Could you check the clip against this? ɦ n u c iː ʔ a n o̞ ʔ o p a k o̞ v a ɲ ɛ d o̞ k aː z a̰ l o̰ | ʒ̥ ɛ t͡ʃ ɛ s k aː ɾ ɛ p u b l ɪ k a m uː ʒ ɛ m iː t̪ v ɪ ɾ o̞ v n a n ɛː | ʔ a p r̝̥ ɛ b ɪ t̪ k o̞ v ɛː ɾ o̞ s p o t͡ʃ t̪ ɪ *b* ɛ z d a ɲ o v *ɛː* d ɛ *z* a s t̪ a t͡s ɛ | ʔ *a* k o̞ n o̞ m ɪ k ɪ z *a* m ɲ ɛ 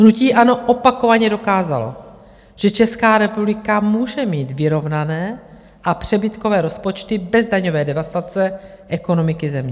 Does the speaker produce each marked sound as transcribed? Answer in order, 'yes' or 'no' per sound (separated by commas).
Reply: yes, yes, no, no, no